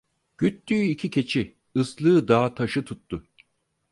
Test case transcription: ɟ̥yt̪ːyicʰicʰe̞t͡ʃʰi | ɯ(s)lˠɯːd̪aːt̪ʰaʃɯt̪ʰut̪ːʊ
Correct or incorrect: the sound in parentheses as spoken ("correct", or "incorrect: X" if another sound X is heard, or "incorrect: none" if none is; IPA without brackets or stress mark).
correct